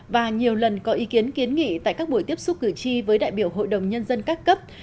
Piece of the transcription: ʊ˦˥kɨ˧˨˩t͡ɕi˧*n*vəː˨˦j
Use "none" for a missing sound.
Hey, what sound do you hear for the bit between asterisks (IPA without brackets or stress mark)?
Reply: none